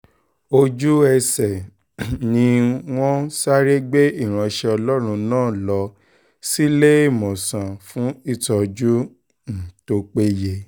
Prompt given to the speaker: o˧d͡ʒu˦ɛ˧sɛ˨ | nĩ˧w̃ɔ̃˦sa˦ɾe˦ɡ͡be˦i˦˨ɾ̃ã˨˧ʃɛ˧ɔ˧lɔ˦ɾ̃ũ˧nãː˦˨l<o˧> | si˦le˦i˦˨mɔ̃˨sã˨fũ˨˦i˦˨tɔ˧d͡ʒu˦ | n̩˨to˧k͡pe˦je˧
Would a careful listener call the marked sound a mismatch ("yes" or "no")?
yes